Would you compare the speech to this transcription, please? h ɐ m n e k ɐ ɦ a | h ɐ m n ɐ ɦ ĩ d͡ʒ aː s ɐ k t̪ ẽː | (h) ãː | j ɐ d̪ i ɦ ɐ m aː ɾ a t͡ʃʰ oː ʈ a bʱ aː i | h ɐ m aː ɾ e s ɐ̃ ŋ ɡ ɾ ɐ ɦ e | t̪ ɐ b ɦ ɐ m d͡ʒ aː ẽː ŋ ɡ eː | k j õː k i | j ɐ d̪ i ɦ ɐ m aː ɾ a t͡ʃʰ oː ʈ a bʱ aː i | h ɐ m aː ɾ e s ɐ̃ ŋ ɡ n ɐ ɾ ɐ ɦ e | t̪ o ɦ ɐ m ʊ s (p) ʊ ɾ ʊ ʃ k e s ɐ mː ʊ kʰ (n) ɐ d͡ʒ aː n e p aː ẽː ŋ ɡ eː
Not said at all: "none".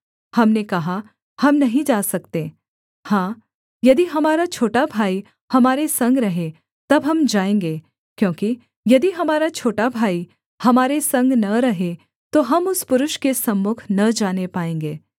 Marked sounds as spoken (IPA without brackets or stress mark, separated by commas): h, p, n